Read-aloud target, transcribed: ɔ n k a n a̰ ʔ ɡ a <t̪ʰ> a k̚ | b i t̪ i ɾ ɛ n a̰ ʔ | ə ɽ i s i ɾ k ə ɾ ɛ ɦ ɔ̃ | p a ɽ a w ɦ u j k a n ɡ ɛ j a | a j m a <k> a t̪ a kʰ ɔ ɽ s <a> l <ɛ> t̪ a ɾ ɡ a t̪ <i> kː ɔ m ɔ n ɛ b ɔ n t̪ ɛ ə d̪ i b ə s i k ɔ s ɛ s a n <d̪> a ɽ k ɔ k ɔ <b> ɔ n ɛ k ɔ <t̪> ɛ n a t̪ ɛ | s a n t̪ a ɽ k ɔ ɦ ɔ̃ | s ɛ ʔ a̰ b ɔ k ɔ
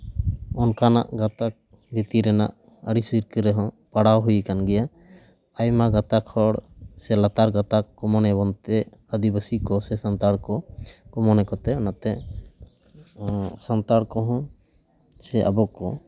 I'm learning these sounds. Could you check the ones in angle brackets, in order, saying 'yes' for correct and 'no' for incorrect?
no, no, no, no, no, no, no, yes

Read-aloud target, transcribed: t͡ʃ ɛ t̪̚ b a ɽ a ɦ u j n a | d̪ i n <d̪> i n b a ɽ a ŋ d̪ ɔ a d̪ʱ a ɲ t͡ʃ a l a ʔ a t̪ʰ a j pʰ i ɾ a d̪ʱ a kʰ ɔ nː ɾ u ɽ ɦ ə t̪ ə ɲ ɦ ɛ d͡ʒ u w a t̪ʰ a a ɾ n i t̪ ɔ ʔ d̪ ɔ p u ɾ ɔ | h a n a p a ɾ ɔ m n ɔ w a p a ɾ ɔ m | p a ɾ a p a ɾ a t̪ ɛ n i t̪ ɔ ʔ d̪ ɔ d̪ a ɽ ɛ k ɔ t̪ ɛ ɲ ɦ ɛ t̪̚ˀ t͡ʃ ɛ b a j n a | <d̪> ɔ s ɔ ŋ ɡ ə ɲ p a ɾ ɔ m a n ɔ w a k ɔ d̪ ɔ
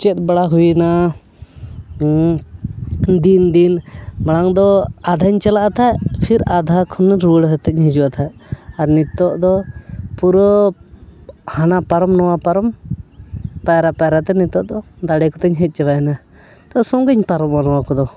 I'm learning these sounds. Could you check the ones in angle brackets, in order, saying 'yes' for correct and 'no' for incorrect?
yes, no

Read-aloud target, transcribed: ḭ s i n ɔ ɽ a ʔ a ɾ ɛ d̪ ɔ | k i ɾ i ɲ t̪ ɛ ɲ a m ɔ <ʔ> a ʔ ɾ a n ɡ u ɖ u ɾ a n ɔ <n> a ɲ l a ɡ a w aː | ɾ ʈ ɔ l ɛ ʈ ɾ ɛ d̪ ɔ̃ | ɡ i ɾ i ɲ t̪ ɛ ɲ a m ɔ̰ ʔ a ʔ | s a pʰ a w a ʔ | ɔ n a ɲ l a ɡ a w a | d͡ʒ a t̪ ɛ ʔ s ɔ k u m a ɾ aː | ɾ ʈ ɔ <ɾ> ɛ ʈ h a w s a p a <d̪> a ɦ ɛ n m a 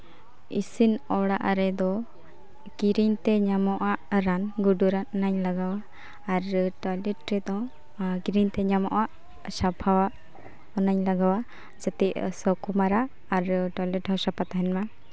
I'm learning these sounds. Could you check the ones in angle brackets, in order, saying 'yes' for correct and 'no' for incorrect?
yes, yes, no, no

